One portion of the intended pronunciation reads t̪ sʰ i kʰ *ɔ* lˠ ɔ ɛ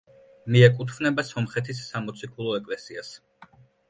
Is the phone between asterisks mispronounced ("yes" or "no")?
yes